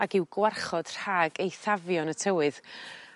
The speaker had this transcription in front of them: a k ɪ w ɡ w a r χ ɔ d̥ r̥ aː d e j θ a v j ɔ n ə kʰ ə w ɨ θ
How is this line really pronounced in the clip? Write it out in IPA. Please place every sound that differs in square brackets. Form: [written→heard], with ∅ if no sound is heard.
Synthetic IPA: a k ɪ w ɡ w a r χ ɔ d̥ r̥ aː [d→ɡ] e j θ a v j ɔ n ə [kʰ→tʰ] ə w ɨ [θ→ð]